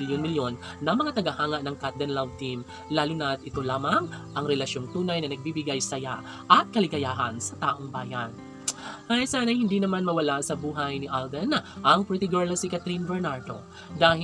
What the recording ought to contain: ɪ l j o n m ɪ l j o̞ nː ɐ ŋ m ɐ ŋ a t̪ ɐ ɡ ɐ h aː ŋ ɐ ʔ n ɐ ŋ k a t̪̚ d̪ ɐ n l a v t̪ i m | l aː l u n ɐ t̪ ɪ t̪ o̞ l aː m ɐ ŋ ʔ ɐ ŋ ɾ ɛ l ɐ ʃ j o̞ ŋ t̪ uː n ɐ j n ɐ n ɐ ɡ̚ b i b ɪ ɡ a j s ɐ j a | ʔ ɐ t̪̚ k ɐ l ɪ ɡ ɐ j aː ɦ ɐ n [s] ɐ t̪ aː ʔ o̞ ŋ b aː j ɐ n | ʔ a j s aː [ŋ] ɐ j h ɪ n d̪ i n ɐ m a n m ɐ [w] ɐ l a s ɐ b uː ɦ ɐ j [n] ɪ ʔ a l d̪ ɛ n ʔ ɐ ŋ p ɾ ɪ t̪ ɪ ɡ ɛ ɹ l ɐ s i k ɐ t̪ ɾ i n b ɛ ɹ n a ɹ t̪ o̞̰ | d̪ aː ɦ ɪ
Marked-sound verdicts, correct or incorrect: correct, incorrect, correct, correct

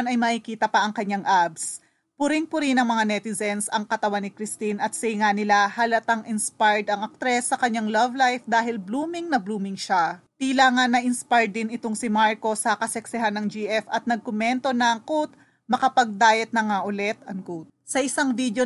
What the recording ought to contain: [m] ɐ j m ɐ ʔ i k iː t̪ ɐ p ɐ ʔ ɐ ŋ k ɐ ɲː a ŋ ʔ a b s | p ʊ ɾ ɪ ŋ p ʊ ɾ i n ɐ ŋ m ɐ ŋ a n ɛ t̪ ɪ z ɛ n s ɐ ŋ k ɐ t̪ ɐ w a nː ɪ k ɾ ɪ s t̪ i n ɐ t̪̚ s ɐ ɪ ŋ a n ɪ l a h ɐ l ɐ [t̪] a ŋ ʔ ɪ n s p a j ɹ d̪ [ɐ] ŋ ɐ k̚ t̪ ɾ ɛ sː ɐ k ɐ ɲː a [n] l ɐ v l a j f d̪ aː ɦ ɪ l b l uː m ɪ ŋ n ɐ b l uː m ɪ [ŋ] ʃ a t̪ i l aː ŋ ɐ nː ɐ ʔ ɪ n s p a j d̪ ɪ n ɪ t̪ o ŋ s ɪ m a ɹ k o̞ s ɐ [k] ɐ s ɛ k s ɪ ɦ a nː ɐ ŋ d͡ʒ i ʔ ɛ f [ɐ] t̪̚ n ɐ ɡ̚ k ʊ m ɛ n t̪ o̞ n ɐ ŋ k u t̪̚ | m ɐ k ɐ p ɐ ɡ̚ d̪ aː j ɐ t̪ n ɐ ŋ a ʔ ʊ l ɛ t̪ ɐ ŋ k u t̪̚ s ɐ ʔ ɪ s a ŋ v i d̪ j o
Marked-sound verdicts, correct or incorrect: incorrect, correct, correct, incorrect, correct, correct, correct

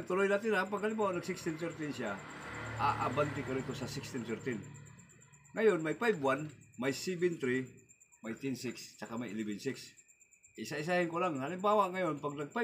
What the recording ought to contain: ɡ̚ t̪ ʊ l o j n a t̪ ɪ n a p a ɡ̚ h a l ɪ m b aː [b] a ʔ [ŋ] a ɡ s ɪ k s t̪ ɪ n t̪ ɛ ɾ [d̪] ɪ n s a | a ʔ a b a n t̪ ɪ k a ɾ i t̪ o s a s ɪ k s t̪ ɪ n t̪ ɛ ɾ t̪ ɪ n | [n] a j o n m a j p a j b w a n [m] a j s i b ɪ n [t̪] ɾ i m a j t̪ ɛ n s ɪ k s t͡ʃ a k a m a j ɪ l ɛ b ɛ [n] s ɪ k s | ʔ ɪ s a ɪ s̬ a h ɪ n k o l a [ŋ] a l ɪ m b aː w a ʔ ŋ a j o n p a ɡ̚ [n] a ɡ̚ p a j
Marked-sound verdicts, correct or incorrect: incorrect, incorrect, incorrect, incorrect, correct, correct, correct, correct, correct

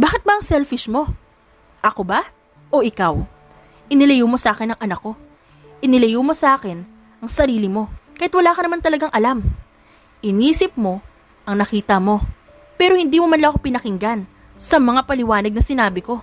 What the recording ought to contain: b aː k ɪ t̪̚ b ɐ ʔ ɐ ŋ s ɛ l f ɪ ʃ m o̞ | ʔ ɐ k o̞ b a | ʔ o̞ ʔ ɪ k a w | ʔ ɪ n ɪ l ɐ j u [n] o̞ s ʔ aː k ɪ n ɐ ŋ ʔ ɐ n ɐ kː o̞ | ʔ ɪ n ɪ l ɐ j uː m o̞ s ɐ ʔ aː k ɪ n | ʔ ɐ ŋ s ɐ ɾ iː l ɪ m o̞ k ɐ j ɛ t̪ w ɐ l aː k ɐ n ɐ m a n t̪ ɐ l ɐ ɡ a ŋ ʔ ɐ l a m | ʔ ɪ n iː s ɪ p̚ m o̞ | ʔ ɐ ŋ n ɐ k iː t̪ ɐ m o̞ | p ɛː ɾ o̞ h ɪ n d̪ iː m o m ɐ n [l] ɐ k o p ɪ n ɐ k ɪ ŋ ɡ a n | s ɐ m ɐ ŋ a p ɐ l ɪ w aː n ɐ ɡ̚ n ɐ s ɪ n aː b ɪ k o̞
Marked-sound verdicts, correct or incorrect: incorrect, correct

